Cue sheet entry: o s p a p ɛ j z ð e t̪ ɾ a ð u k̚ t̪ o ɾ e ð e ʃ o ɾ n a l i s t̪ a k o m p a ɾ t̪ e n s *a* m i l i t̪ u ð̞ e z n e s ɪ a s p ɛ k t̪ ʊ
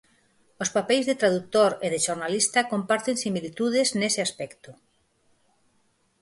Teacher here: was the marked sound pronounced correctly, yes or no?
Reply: no